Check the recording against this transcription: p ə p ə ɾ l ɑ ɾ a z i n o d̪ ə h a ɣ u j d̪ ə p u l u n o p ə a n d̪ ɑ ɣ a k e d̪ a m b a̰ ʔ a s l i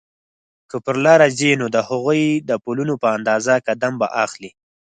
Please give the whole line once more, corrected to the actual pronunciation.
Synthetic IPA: k ə p ə ɾ l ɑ ɾ a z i n o d̪ ə h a ɣ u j d̪ ə p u l u n o p ə a n d̪ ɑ z a k a d̪ a m b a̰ ʔ a x l i